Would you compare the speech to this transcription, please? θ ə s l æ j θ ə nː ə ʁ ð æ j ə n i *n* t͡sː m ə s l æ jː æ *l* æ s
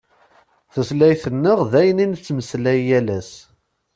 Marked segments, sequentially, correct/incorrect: correct, correct

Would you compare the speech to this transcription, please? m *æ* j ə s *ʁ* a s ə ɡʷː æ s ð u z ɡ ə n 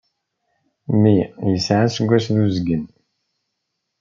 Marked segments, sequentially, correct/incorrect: incorrect, incorrect

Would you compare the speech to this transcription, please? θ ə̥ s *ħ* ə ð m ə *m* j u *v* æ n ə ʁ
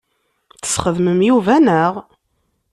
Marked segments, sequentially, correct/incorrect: incorrect, correct, correct

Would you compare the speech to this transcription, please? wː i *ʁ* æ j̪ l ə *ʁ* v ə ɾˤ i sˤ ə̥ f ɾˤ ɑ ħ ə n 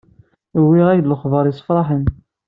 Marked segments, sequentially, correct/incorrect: correct, incorrect

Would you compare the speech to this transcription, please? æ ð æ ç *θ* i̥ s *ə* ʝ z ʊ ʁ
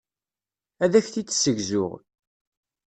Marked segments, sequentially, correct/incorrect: correct, correct

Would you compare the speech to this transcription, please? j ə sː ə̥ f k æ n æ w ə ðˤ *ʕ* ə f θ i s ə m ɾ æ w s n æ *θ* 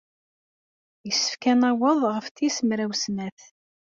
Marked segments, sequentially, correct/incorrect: incorrect, correct

